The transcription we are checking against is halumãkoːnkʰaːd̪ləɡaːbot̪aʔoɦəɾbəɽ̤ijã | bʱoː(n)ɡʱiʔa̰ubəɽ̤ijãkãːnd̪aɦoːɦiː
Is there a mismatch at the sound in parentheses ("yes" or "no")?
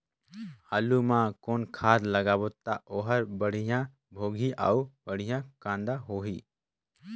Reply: yes